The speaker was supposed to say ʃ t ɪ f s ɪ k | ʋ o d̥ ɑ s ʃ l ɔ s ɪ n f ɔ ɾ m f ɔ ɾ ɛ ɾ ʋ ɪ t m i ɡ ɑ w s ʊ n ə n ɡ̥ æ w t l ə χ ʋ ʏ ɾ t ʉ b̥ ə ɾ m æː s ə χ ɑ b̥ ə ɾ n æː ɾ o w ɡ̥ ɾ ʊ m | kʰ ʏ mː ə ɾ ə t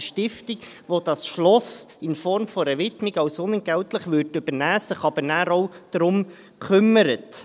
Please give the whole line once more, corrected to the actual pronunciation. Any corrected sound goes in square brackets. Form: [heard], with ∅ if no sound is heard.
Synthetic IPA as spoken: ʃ t ɪ f [t] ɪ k | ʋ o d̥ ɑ s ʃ l ɔ s ɪ n f ɔ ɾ m f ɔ ɾ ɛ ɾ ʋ ɪ t m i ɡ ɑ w s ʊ n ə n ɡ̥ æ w t l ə χ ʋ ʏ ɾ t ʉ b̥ ə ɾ [n] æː s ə χ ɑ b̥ ə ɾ n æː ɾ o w [d̥] ɾ ʊ m | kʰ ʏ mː ə ɾ ə t